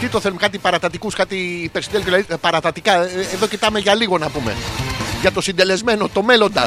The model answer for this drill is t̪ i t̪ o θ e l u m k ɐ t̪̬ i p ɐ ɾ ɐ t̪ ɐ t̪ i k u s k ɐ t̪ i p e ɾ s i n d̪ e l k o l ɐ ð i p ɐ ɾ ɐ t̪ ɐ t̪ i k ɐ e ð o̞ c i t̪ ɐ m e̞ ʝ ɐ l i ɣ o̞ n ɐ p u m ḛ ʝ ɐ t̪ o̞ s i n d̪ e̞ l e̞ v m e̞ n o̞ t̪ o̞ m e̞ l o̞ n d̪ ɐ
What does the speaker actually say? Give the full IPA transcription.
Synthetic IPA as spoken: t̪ i t̪ o θ e l u m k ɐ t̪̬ i p ɐ ɾ ɐ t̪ ɐ t̪ i k u s k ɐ t̪ i p e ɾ s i n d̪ e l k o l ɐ ð i p ɐ ɾ ɐ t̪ ɐ t̪ i k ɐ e ð o̞ c i t̪ ɐ m e̞ ʝ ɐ l i ɣ o̞ n ɐ p u m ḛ ʝ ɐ t̪ o̞ s i n d̪ e̞ l e̞ z m e̞ n o̞ t̪ o̞ m e̞ l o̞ n d̪ ɐ